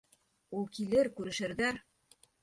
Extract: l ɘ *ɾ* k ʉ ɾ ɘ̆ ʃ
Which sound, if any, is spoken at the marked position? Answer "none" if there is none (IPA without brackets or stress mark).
ɾ